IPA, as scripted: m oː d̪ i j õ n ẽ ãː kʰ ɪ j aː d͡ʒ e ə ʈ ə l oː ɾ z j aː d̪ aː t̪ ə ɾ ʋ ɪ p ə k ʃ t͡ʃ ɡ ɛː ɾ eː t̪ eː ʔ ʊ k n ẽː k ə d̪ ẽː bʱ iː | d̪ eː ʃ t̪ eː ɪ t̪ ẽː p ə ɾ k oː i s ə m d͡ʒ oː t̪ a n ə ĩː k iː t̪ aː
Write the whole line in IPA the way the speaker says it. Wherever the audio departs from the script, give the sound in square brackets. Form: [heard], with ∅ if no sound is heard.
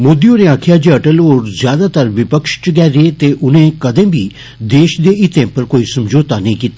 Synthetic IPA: m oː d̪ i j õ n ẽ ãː kʰ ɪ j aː d͡ʒ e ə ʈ ə l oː ɾ z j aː d̪ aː t̪ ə ɾ ʋ ɪ p ə k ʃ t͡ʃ ɡ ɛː ɾ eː t̪ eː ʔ ʊ [∅] n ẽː k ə d̪ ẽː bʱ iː | d̪ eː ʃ [d̪] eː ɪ t̪ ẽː p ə ɾ k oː i s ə m d͡ʒ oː t̪ a n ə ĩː k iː t̪ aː